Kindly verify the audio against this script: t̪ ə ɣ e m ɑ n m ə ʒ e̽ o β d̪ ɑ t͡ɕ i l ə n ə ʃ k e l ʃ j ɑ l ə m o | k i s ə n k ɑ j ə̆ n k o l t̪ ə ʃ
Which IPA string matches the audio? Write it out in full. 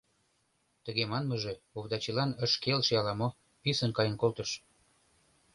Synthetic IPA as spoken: t̪ ə ɣ e m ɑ n m ə ʒ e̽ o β d̪ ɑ t͡ɕ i l ɑ n ə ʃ k e l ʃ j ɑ l ɑ m o | p i s ə n k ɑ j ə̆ n k o l t̪ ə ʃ